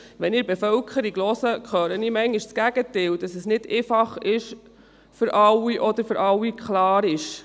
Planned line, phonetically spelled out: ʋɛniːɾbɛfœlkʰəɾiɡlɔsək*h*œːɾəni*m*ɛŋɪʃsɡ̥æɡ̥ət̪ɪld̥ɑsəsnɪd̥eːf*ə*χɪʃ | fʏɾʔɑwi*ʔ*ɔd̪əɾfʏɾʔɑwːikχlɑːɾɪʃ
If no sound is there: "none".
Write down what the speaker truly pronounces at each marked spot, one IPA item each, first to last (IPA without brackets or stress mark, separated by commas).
χ, m, ɑ, ʔ